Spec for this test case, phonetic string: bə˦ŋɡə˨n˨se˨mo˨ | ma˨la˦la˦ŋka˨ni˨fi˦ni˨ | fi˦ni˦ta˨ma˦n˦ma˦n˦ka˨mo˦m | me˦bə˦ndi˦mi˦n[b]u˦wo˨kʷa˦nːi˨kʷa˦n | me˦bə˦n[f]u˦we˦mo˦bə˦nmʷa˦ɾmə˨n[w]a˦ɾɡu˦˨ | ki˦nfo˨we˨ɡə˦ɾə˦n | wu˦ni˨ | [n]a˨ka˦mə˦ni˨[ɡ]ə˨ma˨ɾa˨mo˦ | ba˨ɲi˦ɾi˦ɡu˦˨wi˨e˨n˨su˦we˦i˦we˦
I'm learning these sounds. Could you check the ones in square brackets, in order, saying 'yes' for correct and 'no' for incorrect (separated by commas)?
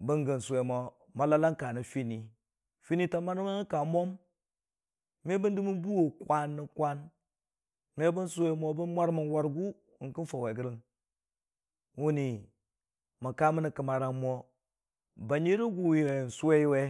yes, no, yes, no, no